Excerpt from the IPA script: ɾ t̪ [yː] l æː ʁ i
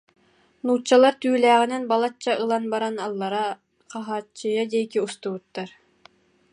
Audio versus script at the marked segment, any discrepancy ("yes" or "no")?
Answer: no